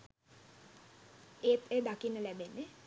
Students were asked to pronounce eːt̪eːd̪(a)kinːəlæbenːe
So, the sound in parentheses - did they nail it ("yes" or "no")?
yes